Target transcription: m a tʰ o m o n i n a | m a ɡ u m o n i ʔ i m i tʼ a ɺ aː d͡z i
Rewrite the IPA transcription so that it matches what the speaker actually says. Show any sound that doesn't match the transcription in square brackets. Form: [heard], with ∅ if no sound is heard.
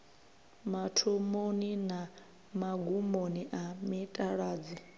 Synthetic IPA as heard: m a tʰ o m o n i n a | m a ɡ u m o n i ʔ [a] m i tʼ a ɺ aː d͡z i